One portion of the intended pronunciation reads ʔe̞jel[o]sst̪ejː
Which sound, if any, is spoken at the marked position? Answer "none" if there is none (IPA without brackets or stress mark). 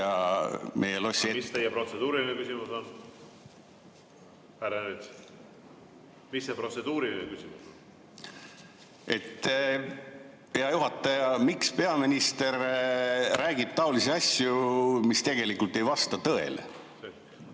o